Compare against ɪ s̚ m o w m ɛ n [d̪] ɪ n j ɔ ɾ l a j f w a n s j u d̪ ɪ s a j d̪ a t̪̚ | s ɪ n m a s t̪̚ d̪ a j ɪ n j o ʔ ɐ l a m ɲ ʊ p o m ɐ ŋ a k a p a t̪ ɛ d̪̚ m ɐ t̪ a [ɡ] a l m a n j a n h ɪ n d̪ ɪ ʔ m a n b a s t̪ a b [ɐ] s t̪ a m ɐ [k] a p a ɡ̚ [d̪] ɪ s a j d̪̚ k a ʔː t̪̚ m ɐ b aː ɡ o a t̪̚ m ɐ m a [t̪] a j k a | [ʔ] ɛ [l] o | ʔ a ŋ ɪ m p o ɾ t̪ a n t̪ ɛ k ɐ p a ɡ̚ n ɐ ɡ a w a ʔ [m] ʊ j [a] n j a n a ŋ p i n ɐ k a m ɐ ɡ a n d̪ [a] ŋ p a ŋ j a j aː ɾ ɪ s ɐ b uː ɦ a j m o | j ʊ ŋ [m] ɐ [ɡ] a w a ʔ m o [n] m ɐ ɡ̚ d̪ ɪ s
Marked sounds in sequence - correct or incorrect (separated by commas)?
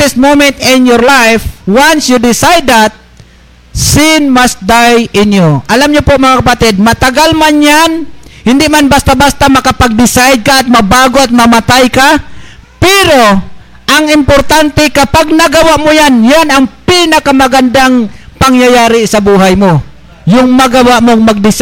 incorrect, correct, incorrect, correct, correct, correct, incorrect, incorrect, correct, correct, correct, correct, correct, incorrect